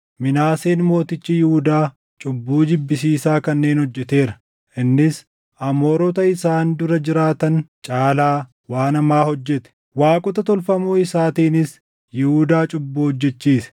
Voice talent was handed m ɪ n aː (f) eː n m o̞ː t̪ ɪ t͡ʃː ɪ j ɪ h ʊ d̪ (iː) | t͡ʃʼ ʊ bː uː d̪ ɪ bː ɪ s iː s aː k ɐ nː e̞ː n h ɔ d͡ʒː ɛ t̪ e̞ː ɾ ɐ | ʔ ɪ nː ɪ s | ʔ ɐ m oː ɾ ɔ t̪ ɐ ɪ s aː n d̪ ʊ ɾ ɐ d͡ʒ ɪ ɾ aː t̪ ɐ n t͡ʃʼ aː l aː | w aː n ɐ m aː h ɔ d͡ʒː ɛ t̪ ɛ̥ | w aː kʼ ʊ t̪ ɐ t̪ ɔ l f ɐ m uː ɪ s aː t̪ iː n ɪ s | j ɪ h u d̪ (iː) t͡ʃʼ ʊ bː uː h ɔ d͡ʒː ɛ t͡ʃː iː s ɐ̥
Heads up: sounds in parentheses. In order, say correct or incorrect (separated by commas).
incorrect, incorrect, incorrect